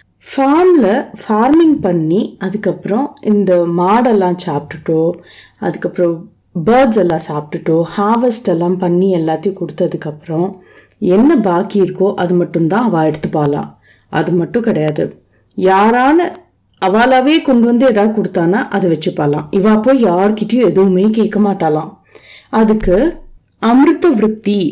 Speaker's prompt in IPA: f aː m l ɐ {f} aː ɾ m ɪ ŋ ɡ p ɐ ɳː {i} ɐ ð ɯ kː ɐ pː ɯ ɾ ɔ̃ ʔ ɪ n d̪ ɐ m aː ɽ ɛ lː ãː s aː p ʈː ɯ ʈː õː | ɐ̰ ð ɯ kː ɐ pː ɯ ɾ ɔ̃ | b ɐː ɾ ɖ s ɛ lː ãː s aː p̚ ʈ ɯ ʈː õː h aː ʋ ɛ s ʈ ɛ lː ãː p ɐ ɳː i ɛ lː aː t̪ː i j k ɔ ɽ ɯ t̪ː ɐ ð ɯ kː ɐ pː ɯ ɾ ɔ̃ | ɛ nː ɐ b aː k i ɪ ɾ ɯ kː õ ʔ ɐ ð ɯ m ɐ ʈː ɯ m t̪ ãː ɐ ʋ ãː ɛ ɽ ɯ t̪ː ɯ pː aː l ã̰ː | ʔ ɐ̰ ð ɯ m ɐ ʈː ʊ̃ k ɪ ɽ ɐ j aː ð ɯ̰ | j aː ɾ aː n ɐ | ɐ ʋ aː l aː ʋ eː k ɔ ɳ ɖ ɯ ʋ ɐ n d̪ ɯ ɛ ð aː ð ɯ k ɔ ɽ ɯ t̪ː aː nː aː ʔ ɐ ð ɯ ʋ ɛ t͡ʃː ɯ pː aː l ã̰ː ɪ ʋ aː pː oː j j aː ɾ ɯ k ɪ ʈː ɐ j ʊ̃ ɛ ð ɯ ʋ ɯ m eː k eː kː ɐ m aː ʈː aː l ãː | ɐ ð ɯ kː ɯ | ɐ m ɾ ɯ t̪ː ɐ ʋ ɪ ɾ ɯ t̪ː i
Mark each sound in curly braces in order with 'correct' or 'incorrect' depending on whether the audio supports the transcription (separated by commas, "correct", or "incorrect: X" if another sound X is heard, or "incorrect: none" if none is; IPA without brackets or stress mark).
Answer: correct, correct